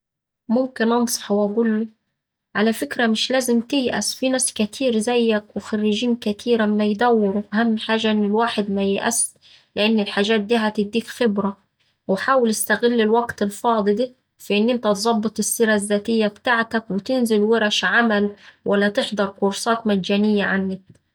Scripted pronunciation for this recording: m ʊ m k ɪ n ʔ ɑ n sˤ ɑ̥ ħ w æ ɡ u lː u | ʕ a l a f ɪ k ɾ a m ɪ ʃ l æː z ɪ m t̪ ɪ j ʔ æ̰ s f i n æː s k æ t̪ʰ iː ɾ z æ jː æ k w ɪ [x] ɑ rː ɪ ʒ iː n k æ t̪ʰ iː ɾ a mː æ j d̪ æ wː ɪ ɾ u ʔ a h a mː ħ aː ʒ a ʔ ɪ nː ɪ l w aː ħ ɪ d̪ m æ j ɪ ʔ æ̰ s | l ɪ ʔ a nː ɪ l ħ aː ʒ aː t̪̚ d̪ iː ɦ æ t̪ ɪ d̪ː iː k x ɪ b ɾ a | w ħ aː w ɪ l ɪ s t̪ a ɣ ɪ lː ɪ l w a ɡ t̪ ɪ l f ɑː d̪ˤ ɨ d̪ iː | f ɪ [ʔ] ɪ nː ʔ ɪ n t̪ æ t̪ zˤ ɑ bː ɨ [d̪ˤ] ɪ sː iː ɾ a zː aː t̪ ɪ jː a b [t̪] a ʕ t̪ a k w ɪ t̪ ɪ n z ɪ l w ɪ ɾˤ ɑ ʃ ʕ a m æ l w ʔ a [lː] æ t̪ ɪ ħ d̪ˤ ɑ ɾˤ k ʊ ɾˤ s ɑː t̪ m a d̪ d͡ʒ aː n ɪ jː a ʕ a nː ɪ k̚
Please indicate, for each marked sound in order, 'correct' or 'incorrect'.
correct, correct, incorrect: t̪ˤ, correct, correct

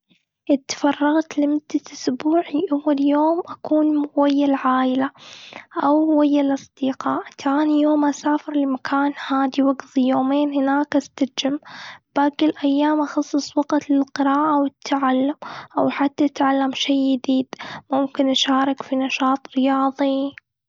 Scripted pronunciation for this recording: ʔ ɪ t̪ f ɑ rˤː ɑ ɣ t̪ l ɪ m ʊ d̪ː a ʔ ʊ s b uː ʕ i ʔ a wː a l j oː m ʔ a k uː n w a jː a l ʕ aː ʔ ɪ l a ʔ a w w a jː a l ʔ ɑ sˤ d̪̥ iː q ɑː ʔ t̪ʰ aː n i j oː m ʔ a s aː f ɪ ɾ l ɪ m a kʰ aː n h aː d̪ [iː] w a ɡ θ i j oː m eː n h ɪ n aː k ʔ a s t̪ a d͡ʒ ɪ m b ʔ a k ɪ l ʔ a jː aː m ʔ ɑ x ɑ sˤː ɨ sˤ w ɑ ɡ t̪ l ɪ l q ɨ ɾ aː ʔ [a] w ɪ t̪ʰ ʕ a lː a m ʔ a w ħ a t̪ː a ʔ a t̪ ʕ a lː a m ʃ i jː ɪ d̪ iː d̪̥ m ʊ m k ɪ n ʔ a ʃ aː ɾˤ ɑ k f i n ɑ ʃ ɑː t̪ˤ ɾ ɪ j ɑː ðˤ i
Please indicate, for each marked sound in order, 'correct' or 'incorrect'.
incorrect: i, correct

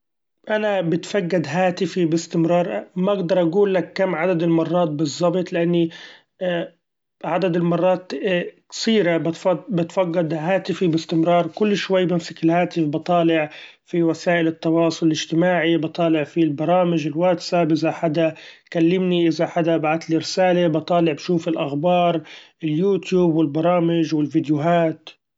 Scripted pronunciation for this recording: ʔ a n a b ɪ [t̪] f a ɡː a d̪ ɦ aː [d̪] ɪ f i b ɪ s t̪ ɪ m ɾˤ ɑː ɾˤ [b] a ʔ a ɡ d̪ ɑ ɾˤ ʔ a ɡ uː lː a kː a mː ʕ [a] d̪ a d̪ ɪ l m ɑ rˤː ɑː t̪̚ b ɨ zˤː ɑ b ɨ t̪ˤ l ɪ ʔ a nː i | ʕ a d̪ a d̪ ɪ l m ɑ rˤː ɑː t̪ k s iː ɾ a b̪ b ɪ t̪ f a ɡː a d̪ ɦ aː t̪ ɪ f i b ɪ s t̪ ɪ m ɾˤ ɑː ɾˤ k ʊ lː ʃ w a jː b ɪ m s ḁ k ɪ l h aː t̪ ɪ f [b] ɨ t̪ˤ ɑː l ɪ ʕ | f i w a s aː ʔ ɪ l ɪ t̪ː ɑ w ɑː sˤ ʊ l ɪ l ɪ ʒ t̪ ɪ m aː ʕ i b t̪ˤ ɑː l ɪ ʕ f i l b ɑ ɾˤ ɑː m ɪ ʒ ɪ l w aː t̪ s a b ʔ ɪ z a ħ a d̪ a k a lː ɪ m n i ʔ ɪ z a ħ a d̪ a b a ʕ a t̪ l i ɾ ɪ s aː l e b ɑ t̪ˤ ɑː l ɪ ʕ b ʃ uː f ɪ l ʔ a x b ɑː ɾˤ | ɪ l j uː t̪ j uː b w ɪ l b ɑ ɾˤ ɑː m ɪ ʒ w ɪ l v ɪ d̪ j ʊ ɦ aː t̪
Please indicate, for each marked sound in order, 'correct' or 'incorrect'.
correct, incorrect: t̪, incorrect: m, correct, correct

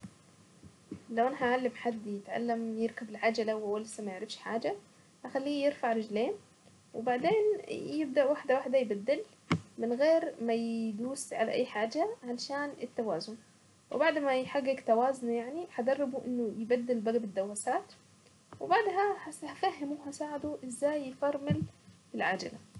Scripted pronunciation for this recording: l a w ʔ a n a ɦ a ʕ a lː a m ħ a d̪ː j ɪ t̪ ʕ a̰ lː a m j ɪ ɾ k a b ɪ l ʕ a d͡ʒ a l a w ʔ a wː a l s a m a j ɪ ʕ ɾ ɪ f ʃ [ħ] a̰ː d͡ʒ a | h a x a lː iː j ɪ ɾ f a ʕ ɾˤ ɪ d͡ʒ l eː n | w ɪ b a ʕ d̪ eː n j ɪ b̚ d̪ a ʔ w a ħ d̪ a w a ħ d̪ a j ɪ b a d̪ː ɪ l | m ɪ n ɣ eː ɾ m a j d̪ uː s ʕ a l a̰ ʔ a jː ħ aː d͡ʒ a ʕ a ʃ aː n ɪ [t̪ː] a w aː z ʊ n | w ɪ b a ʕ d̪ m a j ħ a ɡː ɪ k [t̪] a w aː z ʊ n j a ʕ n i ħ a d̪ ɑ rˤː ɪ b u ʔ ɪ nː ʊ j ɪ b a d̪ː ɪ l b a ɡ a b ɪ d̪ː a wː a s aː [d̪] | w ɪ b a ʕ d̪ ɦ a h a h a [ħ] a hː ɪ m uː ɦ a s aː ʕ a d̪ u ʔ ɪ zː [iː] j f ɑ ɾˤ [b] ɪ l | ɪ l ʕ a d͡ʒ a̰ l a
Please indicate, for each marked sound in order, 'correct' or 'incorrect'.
correct, correct, correct, incorrect: t̪, incorrect: f, incorrect: aː, incorrect: m

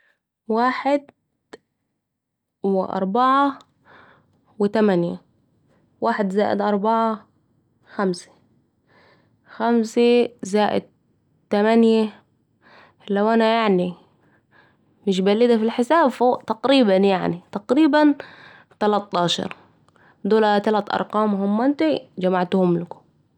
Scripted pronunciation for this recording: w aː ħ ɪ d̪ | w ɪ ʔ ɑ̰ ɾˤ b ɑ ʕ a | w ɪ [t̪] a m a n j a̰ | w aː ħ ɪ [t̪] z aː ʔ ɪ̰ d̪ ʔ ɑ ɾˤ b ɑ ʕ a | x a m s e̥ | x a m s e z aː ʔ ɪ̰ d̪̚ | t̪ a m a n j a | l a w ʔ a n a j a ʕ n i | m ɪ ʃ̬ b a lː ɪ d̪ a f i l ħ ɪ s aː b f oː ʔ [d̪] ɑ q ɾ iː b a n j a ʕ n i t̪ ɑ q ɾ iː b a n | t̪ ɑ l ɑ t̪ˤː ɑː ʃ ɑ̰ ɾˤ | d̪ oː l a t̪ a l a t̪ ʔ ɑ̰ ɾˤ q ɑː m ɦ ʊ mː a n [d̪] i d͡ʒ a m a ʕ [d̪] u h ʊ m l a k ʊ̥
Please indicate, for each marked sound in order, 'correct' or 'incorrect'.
correct, incorrect: d̪, incorrect: t̪, incorrect: t̪, incorrect: t̪

